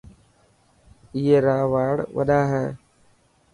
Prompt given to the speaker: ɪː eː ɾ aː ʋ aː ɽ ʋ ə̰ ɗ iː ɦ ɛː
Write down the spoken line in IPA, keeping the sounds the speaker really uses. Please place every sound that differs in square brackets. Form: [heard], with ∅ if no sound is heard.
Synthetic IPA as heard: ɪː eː ɾ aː ʋ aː ɽ ʋ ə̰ ɗ [aː] ɦ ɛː